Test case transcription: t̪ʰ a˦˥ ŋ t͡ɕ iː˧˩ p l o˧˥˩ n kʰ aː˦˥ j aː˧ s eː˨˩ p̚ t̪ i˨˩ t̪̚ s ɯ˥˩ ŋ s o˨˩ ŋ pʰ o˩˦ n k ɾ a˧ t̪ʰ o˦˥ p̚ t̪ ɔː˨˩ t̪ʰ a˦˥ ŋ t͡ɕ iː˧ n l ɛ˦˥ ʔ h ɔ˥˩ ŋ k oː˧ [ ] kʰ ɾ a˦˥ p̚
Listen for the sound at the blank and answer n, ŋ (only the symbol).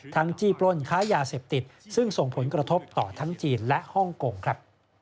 ŋ